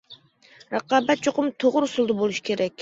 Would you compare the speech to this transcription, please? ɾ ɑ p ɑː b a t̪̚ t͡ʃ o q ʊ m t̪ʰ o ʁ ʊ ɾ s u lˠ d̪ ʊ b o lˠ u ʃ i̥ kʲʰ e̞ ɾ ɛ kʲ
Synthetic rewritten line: ɾ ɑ q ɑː b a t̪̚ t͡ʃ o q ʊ m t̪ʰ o ʁ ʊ ɾ s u lˠ d̪ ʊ b o lˠ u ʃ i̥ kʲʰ e̞ ɾ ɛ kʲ